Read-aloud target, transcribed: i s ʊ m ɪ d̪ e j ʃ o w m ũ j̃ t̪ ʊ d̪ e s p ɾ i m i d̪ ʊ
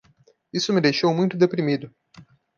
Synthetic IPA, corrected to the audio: i s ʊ m ɪ d̪ e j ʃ o w m ũ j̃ t̪ ʊ d̪ e p ɾ i m i d̪ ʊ